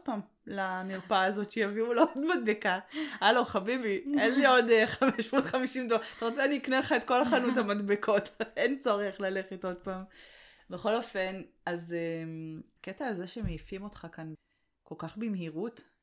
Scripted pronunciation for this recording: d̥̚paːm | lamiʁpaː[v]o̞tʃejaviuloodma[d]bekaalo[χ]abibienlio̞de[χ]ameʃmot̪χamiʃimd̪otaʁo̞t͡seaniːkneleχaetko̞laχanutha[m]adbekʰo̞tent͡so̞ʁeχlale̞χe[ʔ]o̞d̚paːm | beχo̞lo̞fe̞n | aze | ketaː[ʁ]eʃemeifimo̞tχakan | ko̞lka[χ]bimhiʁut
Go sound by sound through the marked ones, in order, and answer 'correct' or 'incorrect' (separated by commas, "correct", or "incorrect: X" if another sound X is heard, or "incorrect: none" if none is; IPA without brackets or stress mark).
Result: incorrect: z, correct, correct, correct, correct, incorrect: t, incorrect: z, correct